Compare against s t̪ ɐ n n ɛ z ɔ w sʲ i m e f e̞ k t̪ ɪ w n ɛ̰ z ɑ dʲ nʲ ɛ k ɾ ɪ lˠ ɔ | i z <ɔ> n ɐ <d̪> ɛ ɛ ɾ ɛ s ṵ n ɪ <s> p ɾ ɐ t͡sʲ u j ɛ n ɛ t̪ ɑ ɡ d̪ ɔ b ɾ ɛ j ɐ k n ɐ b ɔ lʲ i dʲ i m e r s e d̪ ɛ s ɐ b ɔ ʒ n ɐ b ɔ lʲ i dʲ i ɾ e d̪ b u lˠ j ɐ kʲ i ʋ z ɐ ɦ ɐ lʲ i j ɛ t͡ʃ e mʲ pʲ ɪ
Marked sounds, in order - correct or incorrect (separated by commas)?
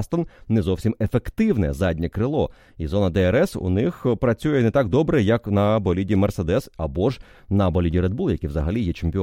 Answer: correct, correct, incorrect